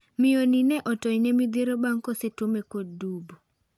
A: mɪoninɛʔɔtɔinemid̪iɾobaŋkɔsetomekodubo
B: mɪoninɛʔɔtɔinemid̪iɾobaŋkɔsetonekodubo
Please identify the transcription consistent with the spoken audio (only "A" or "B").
A